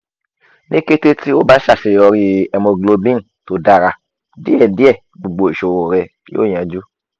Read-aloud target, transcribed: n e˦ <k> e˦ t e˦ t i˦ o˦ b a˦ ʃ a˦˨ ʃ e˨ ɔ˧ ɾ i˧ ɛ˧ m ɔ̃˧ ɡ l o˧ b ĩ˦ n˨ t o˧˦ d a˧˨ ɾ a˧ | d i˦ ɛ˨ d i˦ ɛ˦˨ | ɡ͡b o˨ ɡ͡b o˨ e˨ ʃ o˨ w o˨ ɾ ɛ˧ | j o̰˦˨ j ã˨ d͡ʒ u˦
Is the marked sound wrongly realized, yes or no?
no